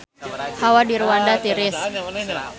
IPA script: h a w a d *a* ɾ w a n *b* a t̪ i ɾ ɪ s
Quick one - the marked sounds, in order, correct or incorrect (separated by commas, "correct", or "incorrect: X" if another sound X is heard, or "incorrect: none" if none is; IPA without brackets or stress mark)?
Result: incorrect: i, incorrect: d